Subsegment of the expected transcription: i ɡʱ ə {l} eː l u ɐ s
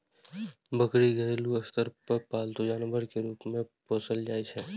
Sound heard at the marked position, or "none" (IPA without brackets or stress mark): ɾ